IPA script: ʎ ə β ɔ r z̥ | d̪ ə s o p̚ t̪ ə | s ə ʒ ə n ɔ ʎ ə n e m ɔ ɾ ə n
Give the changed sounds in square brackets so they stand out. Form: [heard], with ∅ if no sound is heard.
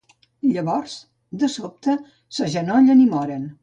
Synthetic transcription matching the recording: ʎ ə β ɔ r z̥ | d̪ ə s o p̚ t̪ ə | s ə ʒ ə n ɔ ʎ ə n [i] m ɔ ɾ ə n